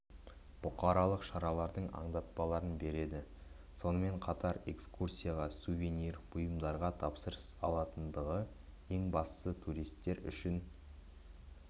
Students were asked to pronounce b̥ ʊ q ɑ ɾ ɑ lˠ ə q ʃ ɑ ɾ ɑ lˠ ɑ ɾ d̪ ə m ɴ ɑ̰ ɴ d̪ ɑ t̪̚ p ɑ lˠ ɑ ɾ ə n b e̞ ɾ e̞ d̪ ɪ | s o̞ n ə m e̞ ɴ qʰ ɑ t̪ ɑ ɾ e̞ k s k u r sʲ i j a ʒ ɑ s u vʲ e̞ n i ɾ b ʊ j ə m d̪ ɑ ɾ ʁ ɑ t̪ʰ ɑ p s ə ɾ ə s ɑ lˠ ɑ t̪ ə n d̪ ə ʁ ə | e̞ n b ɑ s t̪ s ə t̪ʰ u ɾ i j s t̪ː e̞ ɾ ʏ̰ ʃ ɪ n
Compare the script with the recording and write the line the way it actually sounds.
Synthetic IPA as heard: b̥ ʊ q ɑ ɾ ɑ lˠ ə q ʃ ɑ ɾ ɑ lˠ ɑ ɾ d̪ ə ɴ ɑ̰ ɴ d̪ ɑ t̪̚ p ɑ lˠ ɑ ɾ ə n b e̞ ɾ e̞ d̪ ɪ | s o̞ n ə m e̞ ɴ qʰ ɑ t̪ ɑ ɾ e̞ k s k u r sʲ i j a ʁ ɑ s u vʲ e̞ n i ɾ b ʊ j ə m d̪ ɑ ɾ ʁ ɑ t̪ʰ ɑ p s ə ɾ ə s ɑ lˠ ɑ t̪ ə n d̪ ə ʁ ə | e̞ ŋ b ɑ s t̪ s ə t̪ʰ u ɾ i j s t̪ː e̞ ɾ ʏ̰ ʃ ɪ n